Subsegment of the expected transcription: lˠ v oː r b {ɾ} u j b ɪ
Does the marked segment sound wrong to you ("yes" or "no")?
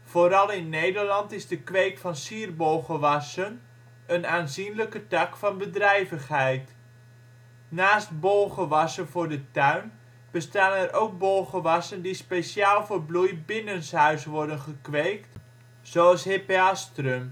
yes